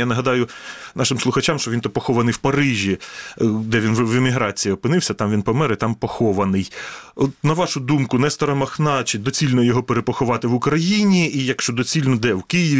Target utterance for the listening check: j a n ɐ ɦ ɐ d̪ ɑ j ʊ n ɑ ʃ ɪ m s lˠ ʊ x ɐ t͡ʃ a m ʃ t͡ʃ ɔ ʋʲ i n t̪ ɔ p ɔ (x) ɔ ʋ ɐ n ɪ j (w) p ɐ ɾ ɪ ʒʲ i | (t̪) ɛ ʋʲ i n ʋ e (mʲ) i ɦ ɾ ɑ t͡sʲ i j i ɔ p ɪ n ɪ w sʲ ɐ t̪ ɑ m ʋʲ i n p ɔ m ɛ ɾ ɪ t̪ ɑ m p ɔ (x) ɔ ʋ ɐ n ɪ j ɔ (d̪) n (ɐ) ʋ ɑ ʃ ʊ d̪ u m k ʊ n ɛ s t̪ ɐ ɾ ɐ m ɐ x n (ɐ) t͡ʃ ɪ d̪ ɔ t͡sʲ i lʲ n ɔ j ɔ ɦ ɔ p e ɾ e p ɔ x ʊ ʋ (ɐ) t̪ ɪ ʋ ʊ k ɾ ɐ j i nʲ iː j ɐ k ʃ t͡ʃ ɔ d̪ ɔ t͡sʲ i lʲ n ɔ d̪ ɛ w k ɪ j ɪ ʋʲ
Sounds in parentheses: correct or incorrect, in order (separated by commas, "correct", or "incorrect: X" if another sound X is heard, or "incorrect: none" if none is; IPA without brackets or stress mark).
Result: correct, correct, incorrect: d̪, correct, correct, incorrect: t̪, correct, incorrect: ɑ, incorrect: ɑ